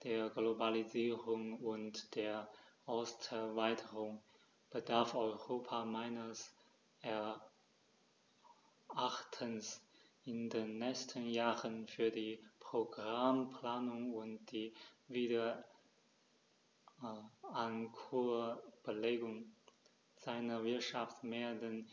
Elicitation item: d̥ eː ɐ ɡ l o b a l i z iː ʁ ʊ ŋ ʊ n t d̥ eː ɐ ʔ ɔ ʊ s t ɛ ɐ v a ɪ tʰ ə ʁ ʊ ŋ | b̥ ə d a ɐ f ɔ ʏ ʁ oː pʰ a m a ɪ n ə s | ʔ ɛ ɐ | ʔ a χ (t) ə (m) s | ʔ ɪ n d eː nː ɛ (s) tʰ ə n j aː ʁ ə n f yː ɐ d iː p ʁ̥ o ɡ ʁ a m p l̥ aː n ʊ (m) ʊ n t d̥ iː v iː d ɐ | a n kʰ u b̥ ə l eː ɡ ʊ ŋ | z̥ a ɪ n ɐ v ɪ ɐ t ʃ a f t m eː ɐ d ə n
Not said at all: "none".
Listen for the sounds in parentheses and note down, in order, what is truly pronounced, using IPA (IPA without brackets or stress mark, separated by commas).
tʰ, n, s, ŋ